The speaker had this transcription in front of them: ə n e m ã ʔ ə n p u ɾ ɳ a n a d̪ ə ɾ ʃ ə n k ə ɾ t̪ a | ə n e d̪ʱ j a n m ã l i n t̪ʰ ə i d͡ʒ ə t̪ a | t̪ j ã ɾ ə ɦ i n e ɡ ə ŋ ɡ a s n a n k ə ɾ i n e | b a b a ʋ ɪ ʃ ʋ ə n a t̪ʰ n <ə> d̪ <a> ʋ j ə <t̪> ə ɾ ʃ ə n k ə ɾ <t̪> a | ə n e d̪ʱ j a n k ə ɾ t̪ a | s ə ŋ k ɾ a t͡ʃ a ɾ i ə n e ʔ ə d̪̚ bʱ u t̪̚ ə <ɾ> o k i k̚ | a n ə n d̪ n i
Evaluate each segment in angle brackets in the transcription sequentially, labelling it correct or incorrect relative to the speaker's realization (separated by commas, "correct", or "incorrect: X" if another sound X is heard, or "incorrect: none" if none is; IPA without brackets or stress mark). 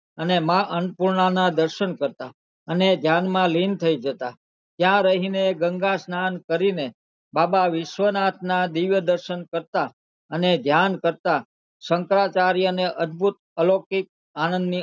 incorrect: a, incorrect: i, incorrect: d̪, correct, incorrect: l